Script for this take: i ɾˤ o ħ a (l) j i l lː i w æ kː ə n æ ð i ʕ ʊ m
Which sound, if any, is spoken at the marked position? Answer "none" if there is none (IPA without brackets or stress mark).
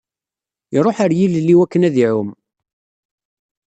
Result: ɾ